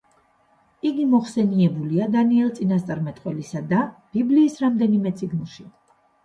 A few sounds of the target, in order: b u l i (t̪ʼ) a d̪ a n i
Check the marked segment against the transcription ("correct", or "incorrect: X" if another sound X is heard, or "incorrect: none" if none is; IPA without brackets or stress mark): incorrect: none